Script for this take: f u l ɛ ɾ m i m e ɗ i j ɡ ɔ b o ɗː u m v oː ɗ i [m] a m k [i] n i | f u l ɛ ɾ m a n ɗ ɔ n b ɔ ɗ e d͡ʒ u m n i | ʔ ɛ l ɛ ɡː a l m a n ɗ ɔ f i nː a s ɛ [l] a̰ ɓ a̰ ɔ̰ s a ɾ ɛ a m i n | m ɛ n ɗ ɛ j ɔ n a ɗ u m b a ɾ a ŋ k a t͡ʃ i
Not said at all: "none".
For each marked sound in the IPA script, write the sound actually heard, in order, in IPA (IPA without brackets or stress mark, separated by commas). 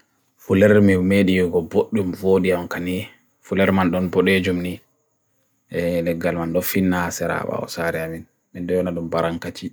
none, a, ɾ